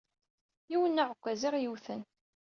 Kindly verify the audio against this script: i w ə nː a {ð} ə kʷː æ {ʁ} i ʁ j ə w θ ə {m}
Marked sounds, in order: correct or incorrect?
incorrect: ʕ, incorrect: z, incorrect: n

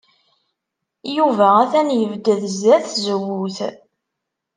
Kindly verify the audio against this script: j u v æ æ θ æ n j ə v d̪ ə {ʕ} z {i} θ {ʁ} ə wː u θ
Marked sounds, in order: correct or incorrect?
incorrect: ð, incorrect: æ, incorrect: z

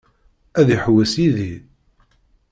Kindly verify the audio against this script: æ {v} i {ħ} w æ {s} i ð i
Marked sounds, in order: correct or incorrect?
incorrect: ð, correct, correct

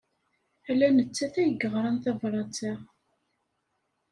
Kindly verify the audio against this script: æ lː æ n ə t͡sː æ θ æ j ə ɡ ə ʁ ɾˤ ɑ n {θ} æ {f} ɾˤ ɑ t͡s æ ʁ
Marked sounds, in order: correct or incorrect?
correct, incorrect: v

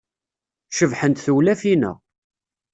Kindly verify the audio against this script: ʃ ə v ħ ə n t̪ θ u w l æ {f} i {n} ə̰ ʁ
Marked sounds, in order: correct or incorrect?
correct, correct

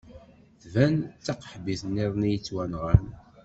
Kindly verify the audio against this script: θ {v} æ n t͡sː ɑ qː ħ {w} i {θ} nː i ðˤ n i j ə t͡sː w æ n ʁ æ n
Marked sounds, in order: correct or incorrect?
correct, incorrect: b, correct

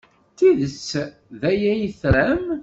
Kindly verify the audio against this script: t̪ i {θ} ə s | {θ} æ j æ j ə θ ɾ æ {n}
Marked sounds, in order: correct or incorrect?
incorrect: ð, incorrect: ð, incorrect: m

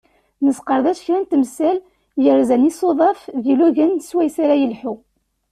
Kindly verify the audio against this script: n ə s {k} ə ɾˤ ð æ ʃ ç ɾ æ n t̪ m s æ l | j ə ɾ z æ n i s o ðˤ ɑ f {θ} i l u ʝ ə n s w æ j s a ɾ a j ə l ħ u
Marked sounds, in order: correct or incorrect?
incorrect: q, incorrect: ð

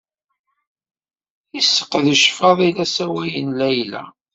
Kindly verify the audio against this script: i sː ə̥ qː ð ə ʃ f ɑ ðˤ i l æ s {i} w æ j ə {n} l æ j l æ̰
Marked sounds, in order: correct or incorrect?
incorrect: æ, correct

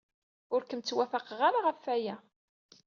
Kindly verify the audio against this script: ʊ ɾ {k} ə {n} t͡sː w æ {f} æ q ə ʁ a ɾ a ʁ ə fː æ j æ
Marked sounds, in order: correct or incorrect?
correct, incorrect: m, correct

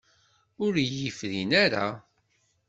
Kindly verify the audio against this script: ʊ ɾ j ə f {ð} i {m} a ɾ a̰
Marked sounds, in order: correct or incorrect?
correct, incorrect: n

